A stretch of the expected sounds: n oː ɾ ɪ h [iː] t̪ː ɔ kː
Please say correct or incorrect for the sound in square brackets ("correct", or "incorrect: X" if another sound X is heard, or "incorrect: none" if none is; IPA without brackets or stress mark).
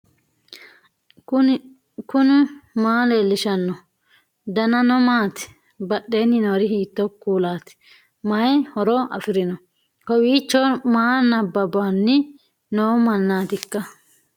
correct